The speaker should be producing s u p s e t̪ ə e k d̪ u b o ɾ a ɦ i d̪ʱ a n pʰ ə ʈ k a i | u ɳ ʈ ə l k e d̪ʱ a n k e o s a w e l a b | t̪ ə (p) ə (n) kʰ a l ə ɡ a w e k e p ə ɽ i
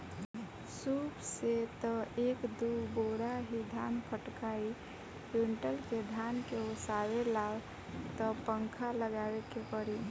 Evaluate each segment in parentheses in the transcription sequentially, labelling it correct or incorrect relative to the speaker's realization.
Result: correct, incorrect: ŋ

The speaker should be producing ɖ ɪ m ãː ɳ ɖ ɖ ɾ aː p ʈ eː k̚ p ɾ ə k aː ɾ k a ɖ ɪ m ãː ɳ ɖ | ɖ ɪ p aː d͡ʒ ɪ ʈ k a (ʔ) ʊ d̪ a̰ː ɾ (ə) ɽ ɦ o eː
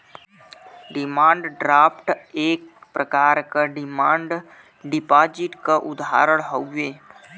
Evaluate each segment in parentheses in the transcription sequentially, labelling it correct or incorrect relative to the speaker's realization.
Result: correct, correct

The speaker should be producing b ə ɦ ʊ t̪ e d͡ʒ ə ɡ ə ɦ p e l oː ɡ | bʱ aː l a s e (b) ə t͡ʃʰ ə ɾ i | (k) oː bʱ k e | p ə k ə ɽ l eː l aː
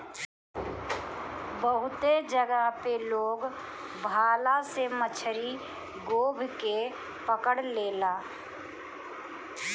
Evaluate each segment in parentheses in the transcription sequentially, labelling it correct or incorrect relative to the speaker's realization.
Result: incorrect: m, incorrect: ɡ

